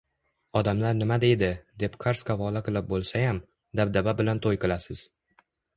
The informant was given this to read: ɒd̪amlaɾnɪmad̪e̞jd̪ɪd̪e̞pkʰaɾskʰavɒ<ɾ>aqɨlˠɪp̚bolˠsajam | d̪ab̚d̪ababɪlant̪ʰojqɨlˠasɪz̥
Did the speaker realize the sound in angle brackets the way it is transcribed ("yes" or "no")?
no